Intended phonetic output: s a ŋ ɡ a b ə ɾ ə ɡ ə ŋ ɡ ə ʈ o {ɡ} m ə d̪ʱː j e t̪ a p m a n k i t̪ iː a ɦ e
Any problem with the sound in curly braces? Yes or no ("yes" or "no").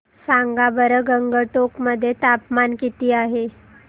yes